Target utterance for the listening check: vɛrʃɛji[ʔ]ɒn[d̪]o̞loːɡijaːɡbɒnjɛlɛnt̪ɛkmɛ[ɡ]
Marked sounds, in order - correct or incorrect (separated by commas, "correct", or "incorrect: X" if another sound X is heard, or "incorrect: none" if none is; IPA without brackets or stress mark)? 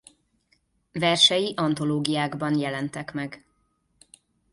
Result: correct, incorrect: t̪, correct